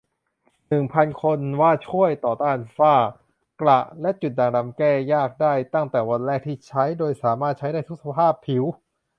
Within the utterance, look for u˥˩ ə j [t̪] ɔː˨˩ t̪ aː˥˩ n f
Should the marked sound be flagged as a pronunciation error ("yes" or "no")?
no